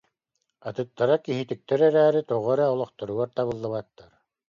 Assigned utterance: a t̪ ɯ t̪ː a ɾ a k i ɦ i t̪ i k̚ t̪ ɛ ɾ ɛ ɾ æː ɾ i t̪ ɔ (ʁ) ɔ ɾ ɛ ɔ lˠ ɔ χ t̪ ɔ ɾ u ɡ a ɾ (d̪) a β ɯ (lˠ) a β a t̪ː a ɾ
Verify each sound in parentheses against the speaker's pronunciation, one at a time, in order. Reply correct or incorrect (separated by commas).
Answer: correct, incorrect, incorrect